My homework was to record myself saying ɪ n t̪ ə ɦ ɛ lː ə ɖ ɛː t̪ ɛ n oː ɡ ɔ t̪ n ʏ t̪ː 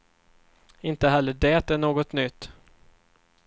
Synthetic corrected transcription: ɪ n t̪ ə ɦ ɛ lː ə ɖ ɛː t̪ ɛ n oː ɡ ɔ t̪ n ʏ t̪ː